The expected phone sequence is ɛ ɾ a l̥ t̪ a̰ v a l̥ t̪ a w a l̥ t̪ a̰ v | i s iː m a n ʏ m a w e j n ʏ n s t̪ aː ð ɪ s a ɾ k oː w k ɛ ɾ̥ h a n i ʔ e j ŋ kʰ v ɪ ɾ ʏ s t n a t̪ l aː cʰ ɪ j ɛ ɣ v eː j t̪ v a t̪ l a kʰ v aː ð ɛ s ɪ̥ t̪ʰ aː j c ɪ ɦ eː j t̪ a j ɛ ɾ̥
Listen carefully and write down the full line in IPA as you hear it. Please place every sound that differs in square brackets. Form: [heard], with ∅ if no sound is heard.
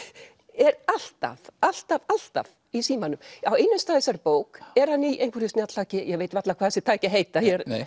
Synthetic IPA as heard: ɛ ɾ a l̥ t̪ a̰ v a l̥ t̪ a [v] a l̥ t̪ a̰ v | i s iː m a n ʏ m a w e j n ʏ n s t̪ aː ð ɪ s a ɾ [p] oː w k ɛ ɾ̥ h a n i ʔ e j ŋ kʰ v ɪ ɾ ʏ s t n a t̪ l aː [c] ɪ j ɛ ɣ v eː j t̪ v a t̪ l a kʰ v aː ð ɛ s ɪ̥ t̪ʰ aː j c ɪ ɦ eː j t̪ a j ɛ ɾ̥